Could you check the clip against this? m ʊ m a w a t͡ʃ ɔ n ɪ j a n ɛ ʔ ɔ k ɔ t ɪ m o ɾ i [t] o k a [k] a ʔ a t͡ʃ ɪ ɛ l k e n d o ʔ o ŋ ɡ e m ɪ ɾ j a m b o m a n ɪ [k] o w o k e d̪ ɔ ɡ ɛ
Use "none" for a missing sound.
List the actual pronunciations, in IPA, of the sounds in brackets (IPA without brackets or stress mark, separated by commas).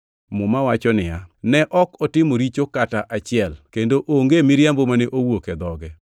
t͡ʃ, t, ʔ